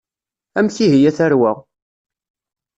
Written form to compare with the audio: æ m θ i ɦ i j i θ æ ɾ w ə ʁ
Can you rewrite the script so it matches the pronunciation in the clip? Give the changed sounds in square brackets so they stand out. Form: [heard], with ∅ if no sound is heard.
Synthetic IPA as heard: æ m θ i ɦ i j [æ] θ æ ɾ w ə ʁ

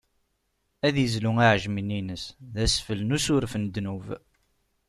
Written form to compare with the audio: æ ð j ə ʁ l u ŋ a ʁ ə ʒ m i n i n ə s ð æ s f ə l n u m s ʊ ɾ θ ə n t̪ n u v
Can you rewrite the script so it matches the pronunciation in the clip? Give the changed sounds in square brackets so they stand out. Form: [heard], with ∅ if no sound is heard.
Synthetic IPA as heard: æ ð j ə [z] l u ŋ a [ʕ] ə ʒ m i n i n ə s ð æ s f ə l n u [∅] s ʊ ɾ [f] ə n [d̪] n u v

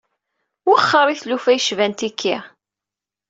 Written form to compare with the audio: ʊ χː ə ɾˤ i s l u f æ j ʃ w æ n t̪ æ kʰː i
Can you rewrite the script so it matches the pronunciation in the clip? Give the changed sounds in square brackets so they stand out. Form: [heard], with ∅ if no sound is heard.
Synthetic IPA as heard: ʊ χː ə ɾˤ i [θ] l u f æ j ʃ [v] æ n t̪ [i] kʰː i

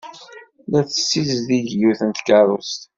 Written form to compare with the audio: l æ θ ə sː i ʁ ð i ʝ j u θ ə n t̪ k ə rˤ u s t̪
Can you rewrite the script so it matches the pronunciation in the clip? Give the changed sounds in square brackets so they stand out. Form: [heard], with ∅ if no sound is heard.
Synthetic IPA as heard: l æ θ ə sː i [z] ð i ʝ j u θ ə n t̪ k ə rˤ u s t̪

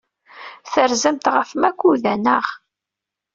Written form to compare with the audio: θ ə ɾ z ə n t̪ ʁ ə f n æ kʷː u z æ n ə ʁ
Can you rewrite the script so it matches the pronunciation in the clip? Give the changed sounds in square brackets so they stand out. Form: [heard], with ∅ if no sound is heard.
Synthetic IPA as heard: θ ə ɾ z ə [m] t̪ ʁ ə f [m] æ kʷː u [ð] æ n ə ʁ

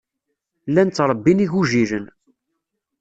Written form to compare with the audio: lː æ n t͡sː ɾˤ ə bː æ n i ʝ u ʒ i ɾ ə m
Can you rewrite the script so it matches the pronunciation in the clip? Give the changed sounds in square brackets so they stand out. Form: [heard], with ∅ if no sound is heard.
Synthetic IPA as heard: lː æ n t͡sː ɾˤ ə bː [i] n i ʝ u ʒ i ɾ ə [n]

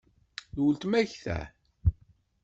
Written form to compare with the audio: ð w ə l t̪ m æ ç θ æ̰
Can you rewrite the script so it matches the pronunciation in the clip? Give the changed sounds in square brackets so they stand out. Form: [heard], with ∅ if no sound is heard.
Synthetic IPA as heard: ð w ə l t̪ m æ ç θ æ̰

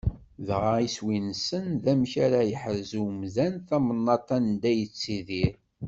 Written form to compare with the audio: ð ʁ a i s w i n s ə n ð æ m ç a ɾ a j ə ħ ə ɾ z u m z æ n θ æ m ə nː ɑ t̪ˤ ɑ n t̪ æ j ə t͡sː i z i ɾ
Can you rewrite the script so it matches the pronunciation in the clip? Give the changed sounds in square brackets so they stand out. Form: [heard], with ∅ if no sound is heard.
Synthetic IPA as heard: ð ʁ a i s w i n s ə n ð æ m ç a ɾ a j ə ħ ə ɾ z u m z æ n θ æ m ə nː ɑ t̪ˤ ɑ n [d̪] æ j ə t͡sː i [ð] i ɾ

